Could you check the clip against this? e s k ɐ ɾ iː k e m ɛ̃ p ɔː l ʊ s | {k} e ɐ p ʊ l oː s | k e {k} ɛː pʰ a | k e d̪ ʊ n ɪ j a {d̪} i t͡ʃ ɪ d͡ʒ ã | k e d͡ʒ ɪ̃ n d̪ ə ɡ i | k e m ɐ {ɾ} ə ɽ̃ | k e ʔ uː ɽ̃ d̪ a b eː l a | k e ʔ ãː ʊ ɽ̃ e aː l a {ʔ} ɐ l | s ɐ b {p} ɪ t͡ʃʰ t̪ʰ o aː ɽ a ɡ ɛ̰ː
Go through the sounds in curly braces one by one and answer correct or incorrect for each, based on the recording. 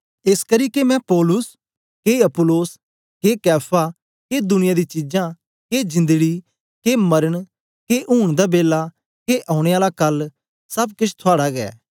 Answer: correct, correct, correct, correct, incorrect, incorrect

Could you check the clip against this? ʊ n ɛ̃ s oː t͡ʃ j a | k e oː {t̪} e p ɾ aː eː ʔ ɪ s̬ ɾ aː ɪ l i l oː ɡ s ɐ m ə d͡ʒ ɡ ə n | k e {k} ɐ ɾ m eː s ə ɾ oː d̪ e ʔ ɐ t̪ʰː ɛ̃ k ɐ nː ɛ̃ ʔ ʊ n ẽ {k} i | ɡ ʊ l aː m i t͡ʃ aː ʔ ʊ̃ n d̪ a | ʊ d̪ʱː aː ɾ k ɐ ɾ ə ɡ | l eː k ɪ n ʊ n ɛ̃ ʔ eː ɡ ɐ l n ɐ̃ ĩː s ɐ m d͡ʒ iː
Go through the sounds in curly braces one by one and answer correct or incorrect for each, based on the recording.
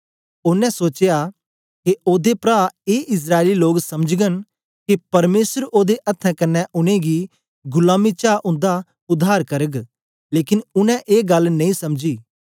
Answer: incorrect, incorrect, incorrect

